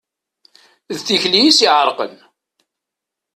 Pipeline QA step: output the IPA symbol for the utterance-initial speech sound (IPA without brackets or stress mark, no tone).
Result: ð